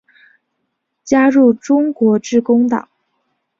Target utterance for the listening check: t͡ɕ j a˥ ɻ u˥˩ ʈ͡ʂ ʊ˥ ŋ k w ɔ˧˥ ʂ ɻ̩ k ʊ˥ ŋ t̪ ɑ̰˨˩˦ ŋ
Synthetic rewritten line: t͡ɕ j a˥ ɻ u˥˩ ʈ͡ʂ ʊ˥ ŋ k w ɔ˧˥ ʈ͡ʂ ɻ̩ k ʊ˥ ŋ t̪ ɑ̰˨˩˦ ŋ